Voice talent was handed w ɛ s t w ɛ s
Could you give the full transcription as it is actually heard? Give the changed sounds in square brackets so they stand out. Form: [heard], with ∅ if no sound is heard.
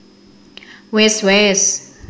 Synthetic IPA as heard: w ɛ s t w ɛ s

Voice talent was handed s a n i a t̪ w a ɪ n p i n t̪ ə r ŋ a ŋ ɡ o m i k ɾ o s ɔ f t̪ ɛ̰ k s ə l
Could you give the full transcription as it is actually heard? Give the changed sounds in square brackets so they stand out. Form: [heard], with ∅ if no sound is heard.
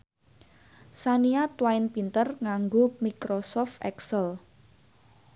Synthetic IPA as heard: s a n i a t̪ w a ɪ n p i n t̪ ə r ŋ a ŋ ɡ o m i k ɾ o s ɔ f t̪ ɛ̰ k s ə l

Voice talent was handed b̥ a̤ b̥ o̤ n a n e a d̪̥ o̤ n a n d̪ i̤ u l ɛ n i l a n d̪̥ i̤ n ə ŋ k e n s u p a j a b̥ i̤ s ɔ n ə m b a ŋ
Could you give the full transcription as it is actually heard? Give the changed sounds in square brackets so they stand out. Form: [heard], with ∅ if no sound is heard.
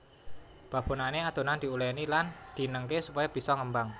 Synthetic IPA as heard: b̥ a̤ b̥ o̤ n a n e a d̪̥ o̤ n a n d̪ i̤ u l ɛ n i l a n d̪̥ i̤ n ə ŋ k e [∅] s u p a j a b̥ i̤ s ɔ [ŋ] ə m b a ŋ

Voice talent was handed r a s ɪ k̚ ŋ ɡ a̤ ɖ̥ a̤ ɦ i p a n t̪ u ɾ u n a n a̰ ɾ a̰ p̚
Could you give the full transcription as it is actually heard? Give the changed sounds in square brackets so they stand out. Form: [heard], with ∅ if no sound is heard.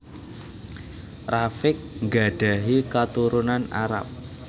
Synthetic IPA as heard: r a [f] ɪ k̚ ŋ ɡ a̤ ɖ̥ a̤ ɦ i [k] a [∅] t̪ u ɾ u n a n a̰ ɾ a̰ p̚

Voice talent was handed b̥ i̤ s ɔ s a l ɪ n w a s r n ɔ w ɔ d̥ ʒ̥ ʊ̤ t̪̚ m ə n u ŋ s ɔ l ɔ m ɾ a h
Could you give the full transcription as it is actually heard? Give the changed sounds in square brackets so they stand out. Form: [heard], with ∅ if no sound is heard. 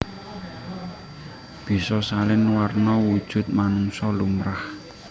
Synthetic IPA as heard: b̥ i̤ s ɔ s a l ɪ n w a [∅] r n ɔ w [u] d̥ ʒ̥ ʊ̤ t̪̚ m [a] n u ŋ s ɔ l [u] m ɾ a h

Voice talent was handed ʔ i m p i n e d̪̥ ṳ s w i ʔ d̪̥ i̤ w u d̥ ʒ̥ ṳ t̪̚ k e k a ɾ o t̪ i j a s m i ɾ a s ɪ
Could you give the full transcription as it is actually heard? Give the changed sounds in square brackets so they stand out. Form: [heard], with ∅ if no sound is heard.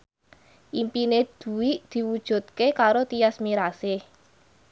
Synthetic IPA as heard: ʔ i m p i n e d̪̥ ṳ [∅] w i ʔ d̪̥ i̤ w u d̥ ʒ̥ ṳ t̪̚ k e k a ɾ o t̪ i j a s m i ɾ a s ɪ

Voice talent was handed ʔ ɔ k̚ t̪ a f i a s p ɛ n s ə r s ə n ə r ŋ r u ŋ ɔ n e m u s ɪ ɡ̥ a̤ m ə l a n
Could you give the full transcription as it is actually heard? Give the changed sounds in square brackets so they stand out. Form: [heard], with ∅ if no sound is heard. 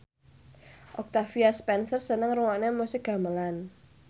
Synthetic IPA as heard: ʔ ɔ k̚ t̪ a f i a s p ɛ n s ə r s ə n ə [∅] ŋ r u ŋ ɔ n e m u s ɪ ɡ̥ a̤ m ə l a n

